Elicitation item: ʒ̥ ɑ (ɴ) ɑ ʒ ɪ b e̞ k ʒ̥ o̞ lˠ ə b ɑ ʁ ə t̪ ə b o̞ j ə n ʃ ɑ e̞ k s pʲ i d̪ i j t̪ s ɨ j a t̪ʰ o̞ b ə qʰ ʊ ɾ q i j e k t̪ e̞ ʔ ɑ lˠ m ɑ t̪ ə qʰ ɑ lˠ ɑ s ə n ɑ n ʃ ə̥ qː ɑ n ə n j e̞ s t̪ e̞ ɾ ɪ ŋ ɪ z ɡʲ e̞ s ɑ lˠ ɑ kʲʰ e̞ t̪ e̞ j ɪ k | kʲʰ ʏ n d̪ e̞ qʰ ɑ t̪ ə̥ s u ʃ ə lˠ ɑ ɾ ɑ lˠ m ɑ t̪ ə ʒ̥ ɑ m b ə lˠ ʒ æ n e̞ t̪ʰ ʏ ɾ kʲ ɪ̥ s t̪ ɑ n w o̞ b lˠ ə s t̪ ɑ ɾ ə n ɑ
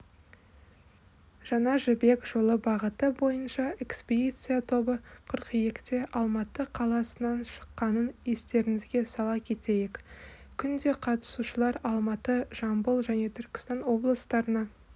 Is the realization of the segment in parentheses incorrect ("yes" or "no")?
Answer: yes